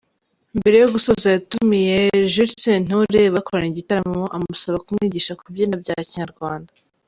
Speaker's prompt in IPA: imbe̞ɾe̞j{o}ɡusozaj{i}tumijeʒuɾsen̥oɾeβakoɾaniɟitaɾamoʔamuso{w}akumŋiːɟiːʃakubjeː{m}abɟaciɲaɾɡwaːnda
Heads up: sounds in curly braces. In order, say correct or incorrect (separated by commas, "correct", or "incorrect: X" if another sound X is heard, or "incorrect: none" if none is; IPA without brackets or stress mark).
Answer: correct, incorrect: a, incorrect: β, incorrect: n